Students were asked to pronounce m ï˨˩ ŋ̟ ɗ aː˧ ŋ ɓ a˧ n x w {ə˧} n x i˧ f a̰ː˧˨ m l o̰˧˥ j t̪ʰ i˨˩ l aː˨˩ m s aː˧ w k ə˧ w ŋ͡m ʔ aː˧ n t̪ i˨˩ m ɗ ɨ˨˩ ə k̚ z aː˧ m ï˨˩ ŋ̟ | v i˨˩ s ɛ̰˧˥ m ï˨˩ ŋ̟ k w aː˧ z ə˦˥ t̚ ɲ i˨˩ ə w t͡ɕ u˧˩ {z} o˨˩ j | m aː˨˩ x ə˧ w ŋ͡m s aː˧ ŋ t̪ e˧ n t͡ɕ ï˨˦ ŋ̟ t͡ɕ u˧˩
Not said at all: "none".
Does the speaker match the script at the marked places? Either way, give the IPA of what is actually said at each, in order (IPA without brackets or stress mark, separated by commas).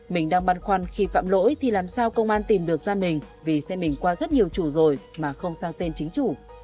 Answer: a˧, z